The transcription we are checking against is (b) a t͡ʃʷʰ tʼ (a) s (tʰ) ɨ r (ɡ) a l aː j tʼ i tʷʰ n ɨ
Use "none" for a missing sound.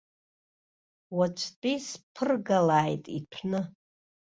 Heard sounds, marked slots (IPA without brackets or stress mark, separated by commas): w, i, pʰ, ɡ